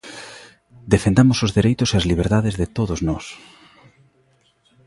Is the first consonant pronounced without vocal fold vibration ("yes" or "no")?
no